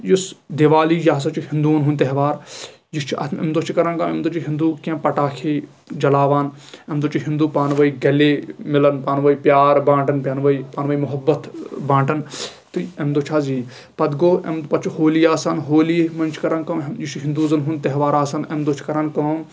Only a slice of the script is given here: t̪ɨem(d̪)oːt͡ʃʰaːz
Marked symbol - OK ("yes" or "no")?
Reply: yes